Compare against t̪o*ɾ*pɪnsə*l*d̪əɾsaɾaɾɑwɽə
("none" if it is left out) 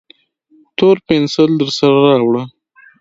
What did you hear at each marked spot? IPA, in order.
ɾ, l

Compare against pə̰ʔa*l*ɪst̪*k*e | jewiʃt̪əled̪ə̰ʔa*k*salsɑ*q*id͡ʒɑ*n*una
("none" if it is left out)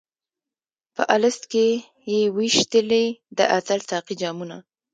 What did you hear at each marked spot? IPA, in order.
l, k, none, q, m

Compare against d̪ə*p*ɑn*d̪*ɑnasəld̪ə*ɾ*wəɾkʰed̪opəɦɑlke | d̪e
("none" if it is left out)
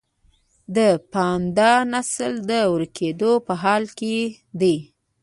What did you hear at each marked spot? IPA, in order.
p, d̪, none

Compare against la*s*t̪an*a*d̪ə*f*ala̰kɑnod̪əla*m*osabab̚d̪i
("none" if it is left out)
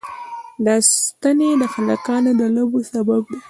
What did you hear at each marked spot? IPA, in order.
s, e, x, b

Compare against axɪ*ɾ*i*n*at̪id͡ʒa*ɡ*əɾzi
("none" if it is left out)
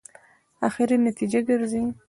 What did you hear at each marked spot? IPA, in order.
ɾ, n, ɡ

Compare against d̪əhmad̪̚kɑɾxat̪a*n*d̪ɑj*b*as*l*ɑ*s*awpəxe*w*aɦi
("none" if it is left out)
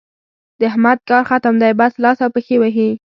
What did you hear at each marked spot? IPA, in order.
m, b, l, s, w

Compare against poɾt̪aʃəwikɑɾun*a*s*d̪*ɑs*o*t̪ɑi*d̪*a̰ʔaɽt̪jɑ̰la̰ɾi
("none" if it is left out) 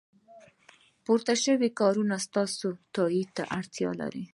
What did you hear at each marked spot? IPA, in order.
a, t̪, o, t̪

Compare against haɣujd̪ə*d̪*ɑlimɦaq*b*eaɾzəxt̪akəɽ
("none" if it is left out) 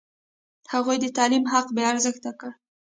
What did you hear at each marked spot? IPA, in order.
t̪, b

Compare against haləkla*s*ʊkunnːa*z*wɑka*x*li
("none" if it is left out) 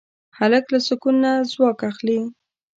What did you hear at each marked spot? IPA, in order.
s, z, x

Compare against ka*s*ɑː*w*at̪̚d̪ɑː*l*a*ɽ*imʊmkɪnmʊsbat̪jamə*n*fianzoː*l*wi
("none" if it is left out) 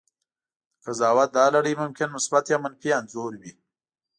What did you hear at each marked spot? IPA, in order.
z, w, l, ɽ, n, ɾ

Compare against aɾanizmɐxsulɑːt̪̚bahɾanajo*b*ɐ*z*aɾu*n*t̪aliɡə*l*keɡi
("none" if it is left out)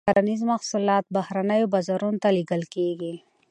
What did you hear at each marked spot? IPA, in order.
b, z, n, l

